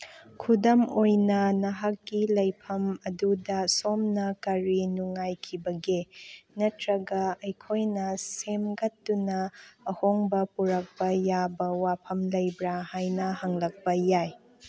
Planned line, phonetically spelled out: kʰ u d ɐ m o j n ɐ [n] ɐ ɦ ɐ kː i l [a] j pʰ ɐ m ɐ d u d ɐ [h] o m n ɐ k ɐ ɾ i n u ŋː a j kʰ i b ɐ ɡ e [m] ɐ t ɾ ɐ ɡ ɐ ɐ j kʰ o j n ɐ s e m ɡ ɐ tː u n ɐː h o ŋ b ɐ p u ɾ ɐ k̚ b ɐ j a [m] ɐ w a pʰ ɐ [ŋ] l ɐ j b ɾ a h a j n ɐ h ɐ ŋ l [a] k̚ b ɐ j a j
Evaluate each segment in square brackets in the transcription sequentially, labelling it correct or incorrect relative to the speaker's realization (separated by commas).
correct, incorrect, incorrect, incorrect, incorrect, incorrect, incorrect